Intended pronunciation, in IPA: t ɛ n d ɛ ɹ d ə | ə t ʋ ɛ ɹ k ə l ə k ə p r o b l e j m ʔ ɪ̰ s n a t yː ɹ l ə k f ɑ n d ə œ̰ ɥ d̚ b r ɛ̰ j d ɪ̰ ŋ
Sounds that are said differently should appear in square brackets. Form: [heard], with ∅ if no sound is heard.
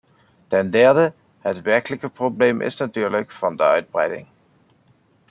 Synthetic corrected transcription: t ɛ n d ɛ ɹ d ə | ə t ʋ ɛ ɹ k ə l ə k ə p r o b l e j m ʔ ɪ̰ s n a t yː ɹ l ə k f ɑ n d ə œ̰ ɥ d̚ b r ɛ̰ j d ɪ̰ ŋ